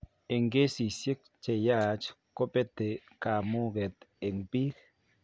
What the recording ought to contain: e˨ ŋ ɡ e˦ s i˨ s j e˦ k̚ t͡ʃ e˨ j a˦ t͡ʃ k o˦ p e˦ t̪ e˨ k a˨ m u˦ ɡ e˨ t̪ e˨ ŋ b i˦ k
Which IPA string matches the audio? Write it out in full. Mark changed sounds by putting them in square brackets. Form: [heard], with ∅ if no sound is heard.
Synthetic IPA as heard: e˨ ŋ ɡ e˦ s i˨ s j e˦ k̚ t͡ʃ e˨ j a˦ t͡ʃ k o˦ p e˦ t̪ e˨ k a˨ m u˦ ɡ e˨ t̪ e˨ ŋ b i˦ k

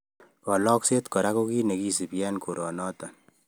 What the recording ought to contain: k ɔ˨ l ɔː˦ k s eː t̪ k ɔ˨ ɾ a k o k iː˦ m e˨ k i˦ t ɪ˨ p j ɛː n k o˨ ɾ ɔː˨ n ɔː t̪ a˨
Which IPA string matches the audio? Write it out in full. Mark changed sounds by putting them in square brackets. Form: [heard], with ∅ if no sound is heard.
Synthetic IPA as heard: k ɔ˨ l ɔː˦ k s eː t̪ k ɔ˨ ɾ a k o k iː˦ [n] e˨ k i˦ [s] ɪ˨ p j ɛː n k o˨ ɾ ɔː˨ n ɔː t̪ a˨

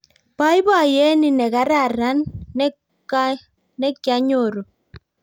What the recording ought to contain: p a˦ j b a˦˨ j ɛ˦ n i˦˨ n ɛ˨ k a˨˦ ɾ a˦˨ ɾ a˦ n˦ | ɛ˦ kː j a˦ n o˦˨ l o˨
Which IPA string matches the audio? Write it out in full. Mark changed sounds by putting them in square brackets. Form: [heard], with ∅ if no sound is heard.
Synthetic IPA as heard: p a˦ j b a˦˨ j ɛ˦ n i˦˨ n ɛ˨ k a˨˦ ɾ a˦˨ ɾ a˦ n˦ | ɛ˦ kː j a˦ [ɲ] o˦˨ [ɾ] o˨

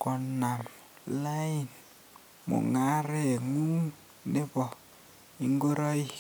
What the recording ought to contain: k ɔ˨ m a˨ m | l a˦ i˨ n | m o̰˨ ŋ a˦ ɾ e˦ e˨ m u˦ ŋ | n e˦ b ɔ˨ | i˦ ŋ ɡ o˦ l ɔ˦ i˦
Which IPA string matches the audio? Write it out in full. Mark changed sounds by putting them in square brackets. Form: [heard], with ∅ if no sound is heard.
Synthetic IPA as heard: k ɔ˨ [n] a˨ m | l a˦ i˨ n | m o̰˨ ŋ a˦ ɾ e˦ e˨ [ŋ] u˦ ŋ | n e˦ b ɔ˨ | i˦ ŋ ɡ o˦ [ɾ] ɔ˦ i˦

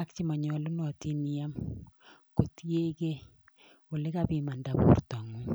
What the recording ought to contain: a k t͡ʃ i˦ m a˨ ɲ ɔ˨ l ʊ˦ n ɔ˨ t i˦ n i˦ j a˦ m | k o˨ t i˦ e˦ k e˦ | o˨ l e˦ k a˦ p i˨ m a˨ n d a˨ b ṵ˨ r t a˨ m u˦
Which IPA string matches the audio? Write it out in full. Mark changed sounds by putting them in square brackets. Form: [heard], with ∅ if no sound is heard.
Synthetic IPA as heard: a k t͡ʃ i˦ m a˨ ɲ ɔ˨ l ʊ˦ n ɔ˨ t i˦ n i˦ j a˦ m | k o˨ t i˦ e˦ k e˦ | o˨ l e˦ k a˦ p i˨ m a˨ n d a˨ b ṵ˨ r t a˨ [ŋ] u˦

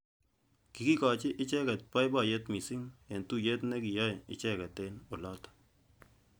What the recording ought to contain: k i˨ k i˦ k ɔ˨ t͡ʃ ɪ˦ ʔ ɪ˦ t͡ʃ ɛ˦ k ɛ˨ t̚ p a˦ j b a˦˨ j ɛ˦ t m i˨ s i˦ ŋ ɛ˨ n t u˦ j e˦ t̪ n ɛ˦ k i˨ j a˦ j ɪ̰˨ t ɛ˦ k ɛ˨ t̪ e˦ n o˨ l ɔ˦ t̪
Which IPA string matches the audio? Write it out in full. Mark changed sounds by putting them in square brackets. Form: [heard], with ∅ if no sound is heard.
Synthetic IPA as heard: k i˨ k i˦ k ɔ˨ t͡ʃ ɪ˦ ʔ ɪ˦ t͡ʃ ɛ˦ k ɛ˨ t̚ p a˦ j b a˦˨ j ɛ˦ t m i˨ s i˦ ŋ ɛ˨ n t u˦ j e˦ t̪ n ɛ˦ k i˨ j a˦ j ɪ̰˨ [t͡ʃ] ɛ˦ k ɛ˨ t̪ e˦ n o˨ l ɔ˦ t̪

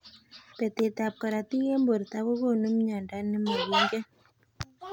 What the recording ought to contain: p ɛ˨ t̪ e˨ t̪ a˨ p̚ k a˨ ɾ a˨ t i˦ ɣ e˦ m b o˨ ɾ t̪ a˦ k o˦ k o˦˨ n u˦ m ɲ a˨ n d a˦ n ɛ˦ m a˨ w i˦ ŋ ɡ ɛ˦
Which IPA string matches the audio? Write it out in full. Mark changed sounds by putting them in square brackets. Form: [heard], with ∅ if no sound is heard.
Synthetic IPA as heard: p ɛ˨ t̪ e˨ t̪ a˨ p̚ k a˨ ɾ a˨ t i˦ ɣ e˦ m b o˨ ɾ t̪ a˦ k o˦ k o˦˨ n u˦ m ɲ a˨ n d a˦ n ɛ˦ m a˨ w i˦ ŋ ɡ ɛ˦

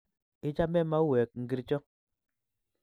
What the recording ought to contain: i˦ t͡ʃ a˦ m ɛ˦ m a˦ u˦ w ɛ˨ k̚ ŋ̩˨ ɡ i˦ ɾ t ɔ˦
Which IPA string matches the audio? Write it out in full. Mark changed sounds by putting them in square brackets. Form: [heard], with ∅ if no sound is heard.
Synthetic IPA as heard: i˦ t͡ʃ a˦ m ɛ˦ m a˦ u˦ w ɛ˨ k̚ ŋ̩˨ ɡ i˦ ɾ [t͡ʃ] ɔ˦

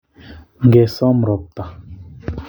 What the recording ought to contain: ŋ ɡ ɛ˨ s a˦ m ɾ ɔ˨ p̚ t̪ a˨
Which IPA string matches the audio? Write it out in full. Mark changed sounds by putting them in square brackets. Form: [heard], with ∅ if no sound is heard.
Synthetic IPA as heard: ŋ ɡ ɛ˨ s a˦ m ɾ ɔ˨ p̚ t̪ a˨

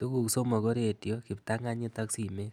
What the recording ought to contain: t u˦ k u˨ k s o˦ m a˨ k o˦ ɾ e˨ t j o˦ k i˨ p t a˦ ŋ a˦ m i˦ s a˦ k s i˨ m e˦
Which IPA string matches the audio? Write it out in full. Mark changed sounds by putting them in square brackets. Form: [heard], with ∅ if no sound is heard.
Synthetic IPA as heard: t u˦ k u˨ k s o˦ m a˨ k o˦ ɾ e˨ t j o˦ k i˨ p t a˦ ŋ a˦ [ɲ] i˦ [t] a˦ k s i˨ m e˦

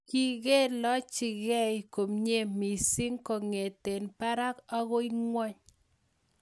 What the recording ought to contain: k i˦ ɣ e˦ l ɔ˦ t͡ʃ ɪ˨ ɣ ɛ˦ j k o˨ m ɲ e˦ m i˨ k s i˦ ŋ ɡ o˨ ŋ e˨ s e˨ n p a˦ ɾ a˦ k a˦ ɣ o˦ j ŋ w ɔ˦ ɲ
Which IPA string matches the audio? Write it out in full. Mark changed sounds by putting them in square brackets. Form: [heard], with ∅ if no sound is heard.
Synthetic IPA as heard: k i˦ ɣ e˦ l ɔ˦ t͡ʃ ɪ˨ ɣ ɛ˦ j k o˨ m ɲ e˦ m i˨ [∅] s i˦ ŋ [k] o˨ ŋ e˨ [t] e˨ n p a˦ ɾ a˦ k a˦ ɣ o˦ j ŋ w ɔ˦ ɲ

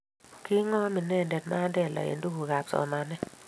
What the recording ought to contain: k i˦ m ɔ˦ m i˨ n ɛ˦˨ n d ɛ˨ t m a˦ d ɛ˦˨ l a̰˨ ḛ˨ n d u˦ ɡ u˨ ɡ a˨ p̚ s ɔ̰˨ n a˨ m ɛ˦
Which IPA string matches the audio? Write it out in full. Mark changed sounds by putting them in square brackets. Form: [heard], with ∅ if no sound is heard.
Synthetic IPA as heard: k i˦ [ŋ] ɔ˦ m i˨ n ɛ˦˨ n d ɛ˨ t m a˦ d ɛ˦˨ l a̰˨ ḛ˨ n d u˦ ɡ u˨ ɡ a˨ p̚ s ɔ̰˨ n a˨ [n] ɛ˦

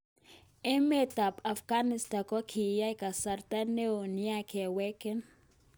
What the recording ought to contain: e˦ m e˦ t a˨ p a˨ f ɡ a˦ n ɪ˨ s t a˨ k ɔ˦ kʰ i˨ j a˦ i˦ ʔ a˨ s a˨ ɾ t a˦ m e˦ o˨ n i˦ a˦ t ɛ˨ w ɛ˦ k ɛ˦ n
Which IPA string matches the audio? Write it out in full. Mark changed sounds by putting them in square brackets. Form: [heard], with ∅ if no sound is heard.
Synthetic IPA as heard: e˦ m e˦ t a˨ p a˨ f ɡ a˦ n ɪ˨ s t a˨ k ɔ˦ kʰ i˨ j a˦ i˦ [k] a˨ s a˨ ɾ t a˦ [n] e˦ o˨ n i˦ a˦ [k] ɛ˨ w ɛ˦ k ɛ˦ n

